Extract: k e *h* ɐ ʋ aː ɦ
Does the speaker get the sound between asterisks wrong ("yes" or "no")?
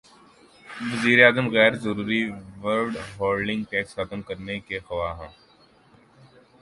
yes